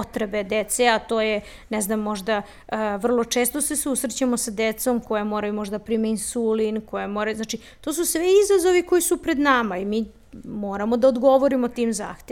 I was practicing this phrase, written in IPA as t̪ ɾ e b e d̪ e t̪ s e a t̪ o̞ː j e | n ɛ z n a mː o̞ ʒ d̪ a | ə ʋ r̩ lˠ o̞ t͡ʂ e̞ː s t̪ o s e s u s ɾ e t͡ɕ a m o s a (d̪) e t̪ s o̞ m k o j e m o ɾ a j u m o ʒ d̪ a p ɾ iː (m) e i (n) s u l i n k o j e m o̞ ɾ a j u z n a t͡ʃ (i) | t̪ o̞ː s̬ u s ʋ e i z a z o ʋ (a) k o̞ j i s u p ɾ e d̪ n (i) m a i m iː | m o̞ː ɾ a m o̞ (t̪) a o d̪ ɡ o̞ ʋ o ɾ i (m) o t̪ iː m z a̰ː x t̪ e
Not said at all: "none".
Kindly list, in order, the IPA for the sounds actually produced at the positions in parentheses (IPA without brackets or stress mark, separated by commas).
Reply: d̪, m, n, i, i, a, d̪, m